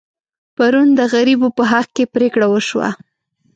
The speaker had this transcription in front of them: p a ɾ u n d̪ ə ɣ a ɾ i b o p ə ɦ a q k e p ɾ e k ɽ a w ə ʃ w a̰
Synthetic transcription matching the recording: p a ɾ u n d̪ ə ɣ a ɾ i b o p ə ɦ a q k e p ɾ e k ɽ a w ə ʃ w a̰